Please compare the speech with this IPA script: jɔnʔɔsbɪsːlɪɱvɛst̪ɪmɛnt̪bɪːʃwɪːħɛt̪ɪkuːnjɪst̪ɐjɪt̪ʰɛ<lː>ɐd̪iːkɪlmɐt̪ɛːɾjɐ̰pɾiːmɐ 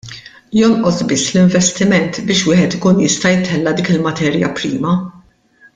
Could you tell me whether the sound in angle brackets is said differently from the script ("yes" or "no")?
no